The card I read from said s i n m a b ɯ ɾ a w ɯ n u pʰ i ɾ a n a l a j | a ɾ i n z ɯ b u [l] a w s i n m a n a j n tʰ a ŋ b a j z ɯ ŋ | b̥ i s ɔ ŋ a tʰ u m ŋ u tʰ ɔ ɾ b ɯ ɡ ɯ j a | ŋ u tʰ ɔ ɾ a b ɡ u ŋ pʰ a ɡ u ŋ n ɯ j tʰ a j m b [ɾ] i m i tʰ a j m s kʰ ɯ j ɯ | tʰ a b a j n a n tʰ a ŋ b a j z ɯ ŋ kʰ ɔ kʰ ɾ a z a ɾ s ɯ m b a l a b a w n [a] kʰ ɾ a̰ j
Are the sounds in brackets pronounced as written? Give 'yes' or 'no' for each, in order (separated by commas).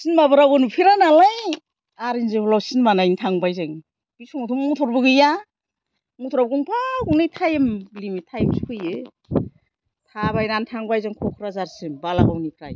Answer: yes, no, no